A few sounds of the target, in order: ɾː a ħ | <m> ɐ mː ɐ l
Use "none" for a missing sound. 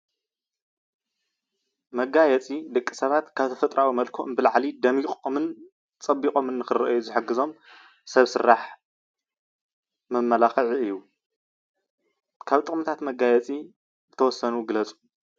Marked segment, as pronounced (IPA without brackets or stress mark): m